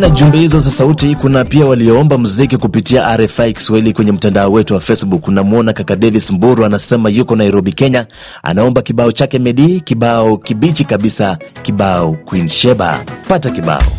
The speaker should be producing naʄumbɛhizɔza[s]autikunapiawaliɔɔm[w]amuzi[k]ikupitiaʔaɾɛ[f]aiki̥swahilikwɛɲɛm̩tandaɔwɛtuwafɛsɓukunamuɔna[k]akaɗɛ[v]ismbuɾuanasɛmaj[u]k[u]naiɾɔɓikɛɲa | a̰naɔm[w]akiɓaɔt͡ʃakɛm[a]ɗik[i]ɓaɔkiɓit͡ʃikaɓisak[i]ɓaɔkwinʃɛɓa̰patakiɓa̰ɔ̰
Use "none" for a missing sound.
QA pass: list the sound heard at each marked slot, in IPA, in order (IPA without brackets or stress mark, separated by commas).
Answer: s, b, k, f, k, v, u, ɔ, b, ɛ, i, i